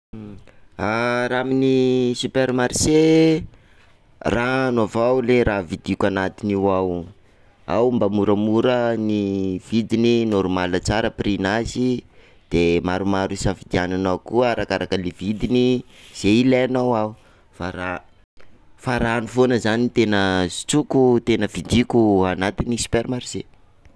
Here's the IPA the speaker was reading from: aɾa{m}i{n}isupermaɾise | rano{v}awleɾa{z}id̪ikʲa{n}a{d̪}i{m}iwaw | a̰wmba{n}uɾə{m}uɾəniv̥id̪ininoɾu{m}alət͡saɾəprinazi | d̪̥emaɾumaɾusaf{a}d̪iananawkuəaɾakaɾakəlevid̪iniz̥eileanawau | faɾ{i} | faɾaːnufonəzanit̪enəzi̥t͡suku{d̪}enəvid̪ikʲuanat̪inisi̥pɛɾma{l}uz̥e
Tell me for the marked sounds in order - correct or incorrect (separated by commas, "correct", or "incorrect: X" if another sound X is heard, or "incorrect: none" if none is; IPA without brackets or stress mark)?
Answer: correct, correct, correct, incorrect: v, correct, incorrect: t̪, incorrect: n, incorrect: m, correct, correct, incorrect: i, incorrect: a, incorrect: t̪, incorrect: ɾ